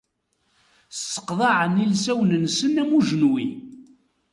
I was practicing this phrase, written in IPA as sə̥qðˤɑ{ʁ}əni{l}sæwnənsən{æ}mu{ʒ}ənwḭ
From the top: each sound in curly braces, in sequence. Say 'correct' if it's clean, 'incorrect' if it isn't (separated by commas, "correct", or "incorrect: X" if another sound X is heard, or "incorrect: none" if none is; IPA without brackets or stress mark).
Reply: incorrect: ʕ, correct, correct, correct